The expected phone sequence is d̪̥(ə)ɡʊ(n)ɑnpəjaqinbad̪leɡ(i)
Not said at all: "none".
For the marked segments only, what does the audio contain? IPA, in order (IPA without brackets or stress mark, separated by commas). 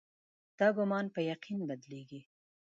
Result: ɑ, m, i